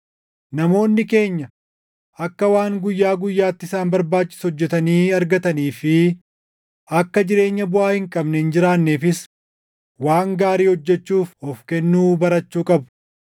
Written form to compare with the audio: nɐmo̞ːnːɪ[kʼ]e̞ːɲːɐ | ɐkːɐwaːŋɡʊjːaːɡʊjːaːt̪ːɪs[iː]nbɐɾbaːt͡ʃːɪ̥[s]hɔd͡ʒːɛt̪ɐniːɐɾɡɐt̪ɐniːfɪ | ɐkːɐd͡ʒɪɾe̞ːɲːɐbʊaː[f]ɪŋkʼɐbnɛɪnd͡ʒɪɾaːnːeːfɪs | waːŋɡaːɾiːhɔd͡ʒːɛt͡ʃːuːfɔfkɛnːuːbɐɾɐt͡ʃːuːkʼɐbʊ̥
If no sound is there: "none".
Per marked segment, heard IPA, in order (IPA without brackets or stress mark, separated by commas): k, aː, s, h